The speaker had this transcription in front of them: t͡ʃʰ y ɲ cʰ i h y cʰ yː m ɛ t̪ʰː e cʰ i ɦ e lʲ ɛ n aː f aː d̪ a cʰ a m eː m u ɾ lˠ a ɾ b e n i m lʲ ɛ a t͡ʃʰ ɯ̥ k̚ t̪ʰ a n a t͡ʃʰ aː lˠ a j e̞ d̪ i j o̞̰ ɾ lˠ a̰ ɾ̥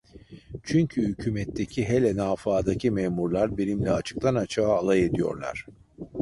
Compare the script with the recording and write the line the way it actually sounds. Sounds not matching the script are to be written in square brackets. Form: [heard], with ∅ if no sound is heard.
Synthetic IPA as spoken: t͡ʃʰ y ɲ cʰ [y] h y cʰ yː m ɛ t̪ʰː e cʰ i ɦ e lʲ ɛ n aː f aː d̪ a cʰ [i] m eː m u ɾ lˠ a ɾ b e n i m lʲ ɛ a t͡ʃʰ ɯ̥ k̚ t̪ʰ a n a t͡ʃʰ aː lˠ a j e̞ d̪ i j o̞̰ ɾ lˠ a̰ ɾ̥